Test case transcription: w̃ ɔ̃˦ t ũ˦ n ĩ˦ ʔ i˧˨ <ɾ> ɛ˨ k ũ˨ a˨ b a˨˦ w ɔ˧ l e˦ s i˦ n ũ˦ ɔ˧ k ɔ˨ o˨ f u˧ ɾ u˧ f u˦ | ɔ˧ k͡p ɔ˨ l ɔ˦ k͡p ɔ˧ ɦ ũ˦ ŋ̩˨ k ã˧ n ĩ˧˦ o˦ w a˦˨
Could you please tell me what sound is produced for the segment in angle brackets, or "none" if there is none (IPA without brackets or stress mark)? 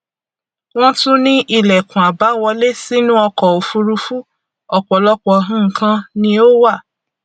l